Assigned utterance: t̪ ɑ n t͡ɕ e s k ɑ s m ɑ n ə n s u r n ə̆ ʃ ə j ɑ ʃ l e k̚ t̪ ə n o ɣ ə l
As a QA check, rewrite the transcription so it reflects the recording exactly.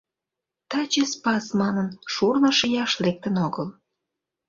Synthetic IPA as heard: t̪ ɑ t͡ɕ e s p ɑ s m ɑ n ə n ʃ u r n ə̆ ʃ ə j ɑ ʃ l e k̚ t̪ ə n o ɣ ə l